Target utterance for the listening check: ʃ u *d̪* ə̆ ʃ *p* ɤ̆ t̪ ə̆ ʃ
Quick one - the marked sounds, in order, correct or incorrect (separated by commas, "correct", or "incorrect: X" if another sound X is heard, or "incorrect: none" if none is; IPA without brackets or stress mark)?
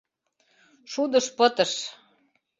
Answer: correct, correct